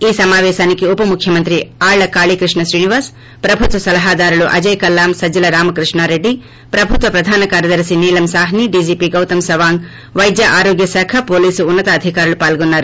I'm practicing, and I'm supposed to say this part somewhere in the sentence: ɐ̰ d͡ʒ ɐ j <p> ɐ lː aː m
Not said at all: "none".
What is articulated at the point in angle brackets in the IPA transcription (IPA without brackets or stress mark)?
k